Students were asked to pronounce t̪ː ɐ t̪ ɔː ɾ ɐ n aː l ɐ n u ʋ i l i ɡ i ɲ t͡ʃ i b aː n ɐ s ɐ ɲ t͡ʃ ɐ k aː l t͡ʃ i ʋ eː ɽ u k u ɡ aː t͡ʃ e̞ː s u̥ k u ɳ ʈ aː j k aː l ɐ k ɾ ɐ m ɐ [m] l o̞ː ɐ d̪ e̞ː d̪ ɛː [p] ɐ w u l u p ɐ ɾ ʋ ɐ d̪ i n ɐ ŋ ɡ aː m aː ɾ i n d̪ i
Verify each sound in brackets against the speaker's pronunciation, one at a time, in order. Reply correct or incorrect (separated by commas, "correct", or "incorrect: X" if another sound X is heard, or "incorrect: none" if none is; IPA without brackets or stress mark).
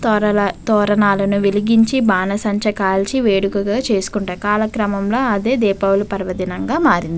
correct, correct